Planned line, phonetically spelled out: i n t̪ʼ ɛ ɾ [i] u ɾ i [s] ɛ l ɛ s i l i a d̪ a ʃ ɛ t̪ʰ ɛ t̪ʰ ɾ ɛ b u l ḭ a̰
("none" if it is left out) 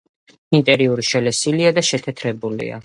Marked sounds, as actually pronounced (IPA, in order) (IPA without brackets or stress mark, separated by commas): i, ʃ